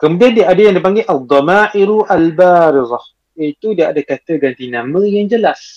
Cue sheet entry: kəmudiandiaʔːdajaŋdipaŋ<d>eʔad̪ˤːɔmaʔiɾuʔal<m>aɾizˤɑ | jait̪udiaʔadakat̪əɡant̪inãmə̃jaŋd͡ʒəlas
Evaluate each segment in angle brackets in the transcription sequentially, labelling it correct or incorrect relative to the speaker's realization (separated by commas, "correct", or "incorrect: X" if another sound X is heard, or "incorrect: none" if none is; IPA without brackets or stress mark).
incorrect: ɡ, incorrect: b